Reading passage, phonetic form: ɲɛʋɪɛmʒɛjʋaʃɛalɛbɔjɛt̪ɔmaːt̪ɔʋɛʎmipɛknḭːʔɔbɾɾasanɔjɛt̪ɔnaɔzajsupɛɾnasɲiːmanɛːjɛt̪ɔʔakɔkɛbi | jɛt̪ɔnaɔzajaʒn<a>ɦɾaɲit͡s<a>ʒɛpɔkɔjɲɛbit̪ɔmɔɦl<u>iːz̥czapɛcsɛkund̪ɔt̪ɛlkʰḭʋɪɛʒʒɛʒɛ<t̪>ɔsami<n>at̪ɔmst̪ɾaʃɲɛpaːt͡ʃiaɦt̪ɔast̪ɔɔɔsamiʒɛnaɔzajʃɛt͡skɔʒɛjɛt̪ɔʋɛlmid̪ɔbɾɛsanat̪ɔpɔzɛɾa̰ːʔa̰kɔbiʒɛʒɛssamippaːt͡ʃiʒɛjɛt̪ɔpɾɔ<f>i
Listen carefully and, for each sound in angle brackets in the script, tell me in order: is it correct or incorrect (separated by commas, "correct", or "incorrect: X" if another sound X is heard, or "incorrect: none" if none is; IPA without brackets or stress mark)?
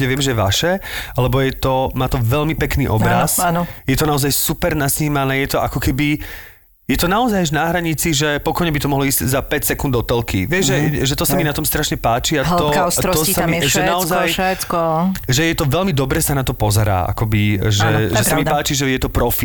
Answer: correct, incorrect: i, incorrect: ɔ, correct, correct, correct